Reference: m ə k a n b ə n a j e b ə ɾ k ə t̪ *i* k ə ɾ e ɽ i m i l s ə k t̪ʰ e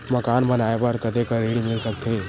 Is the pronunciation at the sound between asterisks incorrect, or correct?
incorrect